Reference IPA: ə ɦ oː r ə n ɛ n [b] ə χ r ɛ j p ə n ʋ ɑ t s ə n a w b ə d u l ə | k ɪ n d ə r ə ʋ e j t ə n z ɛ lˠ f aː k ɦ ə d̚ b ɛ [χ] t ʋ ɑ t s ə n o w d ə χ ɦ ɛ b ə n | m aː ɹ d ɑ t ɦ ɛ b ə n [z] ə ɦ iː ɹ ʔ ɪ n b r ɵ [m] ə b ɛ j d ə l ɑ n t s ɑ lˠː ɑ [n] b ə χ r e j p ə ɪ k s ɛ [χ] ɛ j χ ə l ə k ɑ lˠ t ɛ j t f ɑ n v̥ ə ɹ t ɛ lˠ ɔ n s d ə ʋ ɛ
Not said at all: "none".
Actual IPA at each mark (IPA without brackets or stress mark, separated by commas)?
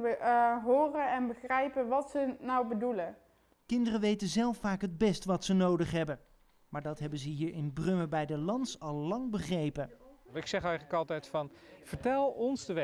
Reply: b, s, z, m, ŋ, χ